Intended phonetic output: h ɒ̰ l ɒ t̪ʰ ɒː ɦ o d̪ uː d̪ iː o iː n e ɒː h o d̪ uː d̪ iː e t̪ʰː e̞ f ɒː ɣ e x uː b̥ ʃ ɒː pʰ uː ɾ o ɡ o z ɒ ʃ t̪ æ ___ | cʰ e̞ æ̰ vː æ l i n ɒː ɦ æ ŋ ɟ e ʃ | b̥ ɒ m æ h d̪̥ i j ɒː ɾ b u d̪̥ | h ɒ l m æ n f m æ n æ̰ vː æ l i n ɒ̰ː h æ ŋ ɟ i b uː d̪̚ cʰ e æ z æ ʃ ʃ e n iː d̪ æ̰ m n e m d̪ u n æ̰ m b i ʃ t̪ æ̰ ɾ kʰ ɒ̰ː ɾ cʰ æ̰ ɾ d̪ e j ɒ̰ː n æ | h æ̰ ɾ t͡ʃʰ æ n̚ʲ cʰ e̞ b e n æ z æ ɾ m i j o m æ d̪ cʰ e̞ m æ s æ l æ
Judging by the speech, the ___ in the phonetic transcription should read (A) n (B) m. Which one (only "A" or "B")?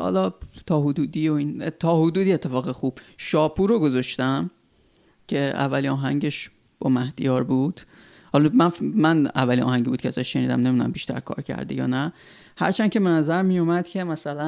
B